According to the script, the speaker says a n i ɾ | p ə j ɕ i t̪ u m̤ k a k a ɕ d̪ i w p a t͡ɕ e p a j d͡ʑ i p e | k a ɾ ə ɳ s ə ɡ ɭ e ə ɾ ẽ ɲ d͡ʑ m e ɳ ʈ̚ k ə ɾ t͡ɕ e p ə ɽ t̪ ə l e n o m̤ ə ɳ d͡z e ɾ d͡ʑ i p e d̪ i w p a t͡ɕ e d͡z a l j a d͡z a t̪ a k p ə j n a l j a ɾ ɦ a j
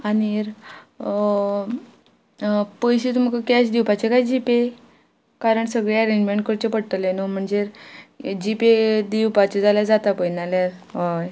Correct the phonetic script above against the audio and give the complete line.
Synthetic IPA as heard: a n i ɾ | p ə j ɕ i t̪ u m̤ k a k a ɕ d̪ i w p a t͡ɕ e k a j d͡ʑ i p e | k a ɾ ə ɳ s ə ɡ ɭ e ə ɾ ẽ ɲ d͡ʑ m e ɳ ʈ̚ k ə ɾ t͡ɕ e p ə ɽ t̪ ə l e n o m̤ ə ɳ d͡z e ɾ d͡ʑ i p e d̪ i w p a t͡ɕ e d͡z a l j a d͡z a t̪ a p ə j n a l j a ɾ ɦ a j